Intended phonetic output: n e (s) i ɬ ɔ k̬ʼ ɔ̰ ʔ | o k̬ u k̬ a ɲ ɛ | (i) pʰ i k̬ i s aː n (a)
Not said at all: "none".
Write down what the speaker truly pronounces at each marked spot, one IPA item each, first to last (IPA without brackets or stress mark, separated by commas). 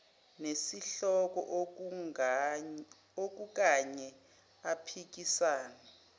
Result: s, a, ɛ